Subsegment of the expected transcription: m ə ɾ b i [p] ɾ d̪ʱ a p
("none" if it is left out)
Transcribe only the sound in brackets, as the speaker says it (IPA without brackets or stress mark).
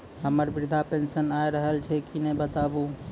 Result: none